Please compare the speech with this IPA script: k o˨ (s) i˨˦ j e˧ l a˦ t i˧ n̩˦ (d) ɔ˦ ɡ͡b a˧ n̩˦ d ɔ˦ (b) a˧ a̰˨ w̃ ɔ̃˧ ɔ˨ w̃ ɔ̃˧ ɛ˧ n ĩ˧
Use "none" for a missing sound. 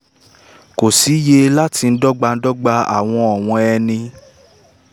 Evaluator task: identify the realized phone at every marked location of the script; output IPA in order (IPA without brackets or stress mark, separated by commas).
s, d, ɡ͡b